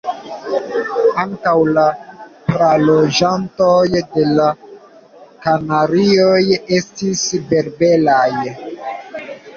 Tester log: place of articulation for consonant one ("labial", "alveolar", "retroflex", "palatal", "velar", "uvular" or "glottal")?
velar